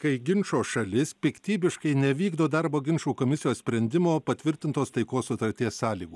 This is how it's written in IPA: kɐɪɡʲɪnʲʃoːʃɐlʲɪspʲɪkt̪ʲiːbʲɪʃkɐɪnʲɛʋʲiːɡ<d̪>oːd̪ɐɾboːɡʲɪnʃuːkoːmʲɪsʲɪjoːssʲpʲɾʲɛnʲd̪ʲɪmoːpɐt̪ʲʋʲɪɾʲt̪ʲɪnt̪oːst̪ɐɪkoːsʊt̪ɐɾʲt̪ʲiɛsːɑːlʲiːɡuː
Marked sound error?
no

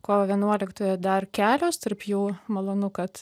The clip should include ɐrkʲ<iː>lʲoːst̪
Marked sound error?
yes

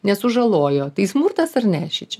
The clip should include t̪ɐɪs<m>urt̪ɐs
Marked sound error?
no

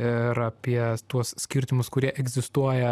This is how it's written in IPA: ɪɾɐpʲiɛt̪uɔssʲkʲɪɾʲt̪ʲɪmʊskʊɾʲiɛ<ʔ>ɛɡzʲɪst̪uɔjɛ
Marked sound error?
no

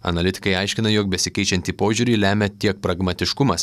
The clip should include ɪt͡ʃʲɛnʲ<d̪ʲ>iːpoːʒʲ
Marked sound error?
yes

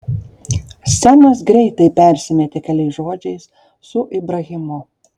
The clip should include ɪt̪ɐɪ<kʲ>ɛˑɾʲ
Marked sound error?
yes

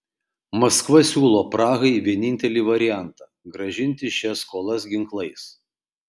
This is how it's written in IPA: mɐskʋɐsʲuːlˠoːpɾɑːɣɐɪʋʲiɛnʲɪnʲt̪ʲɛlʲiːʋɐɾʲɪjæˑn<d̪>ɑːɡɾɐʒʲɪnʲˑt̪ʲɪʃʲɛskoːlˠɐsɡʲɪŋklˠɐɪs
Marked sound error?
yes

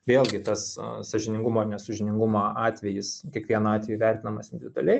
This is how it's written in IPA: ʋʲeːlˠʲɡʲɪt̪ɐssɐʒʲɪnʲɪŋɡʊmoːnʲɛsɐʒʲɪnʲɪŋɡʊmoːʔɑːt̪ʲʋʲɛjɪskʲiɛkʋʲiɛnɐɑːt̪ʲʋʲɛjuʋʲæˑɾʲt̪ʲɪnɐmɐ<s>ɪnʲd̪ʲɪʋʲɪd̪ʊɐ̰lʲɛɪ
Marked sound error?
no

